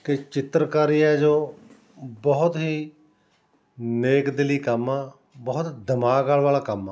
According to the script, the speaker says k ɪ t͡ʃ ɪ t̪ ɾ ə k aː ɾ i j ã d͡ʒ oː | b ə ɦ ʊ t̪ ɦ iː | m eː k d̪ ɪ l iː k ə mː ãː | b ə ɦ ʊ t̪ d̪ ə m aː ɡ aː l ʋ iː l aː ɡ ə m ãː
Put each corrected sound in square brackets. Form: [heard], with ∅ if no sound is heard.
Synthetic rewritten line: k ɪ t͡ʃ ɪ t̪ ɾ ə k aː ɾ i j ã d͡ʒ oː | b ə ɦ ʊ t̪ ɦ iː | [n] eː k d̪ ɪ l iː k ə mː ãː | b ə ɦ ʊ t̪ d̪ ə m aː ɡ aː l ʋ [aː] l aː [k] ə m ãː

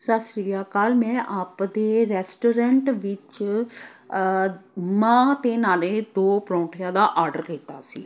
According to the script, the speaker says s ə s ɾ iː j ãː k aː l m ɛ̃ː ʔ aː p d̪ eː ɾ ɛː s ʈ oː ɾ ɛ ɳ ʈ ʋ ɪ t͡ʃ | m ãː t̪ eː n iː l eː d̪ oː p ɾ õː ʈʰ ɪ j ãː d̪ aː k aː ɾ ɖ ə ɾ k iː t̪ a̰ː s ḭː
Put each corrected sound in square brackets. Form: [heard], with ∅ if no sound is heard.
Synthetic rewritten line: s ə s ɾ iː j [aː] k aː l m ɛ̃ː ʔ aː p d̪ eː ɾ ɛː s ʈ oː ɾ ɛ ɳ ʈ ʋ ɪ t͡ʃ | m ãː t̪ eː n [aː] l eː d̪ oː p ɾ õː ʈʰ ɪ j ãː d̪ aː [ʔ] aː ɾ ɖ ə ɾ k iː t̪ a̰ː s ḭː

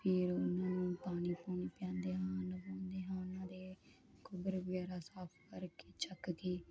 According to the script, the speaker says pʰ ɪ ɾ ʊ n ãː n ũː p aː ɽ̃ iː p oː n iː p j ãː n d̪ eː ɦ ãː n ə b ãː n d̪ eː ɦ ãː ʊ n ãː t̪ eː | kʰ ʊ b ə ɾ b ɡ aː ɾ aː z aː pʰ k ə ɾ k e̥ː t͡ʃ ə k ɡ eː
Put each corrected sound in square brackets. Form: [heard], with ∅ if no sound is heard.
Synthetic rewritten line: pʰ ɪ ɾ ʊ n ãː n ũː p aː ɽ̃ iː p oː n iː p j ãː n d̪ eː ɦ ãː n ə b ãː n d̪ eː ɦ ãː ʊ n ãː [d̪] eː | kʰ ʊ b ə ɾ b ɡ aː ɾ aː [s] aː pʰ k ə ɾ k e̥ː t͡ʃ ə k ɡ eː

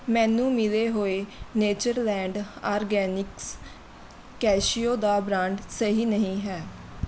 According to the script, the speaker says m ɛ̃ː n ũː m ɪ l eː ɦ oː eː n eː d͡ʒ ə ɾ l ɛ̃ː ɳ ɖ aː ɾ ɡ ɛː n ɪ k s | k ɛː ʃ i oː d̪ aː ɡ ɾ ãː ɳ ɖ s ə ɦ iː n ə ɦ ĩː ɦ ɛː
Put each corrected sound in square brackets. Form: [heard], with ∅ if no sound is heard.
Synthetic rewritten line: m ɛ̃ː n ũː m ɪ l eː ɦ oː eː n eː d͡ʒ ə ɾ l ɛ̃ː ɳ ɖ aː ɾ ɡ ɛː n ɪ k s | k ɛː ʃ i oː d̪ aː [b] ɾ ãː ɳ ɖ s ə ɦ iː n ə ɦ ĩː ɦ ɛː

